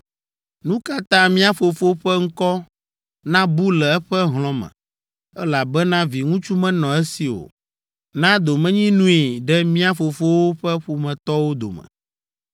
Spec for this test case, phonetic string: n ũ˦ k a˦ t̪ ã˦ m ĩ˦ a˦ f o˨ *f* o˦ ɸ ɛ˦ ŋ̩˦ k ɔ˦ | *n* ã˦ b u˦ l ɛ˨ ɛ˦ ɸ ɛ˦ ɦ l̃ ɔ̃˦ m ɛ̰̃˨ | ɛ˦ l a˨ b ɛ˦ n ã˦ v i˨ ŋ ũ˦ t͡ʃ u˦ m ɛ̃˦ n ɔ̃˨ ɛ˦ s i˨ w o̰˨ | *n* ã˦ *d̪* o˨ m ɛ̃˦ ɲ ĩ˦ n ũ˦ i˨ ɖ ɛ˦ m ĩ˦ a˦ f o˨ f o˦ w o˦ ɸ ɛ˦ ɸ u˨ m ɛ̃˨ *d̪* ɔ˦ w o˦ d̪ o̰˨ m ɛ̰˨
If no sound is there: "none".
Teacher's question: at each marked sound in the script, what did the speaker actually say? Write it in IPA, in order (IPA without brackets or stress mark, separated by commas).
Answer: f, n, n, d̪, t̪